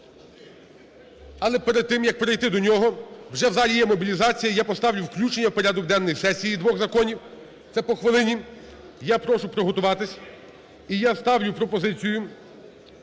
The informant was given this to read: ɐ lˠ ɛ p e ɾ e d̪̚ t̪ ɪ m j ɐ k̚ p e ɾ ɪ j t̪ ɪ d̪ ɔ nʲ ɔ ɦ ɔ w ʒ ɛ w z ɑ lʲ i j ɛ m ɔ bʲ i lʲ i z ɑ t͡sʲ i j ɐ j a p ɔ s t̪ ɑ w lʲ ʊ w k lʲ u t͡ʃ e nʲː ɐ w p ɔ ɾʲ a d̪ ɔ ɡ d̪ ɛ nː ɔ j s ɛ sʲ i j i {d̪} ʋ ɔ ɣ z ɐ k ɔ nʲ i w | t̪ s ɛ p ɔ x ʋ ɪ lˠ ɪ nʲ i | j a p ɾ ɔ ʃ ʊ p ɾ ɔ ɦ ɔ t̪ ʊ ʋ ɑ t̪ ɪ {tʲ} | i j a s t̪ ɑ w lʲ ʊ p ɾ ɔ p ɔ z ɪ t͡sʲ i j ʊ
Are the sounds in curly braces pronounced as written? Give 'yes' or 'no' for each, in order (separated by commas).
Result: yes, no